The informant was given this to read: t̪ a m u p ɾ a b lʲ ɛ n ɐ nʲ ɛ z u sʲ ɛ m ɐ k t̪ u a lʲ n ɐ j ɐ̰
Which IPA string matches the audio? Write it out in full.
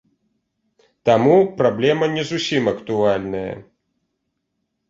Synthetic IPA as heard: t̪ a m u p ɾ a b lʲ ɛ m ɐ nʲ ɛ z u sʲ i m ɐ k t̪ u a lʲ n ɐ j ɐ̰